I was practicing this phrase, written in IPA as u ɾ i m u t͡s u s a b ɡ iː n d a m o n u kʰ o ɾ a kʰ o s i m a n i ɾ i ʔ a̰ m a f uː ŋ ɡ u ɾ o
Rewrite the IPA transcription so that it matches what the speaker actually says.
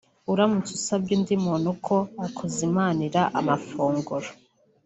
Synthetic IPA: u ɾ a m u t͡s u s a b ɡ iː n d i m o n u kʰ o a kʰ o z i m a n i ɾ a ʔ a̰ m a f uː ŋ ɡ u ɾ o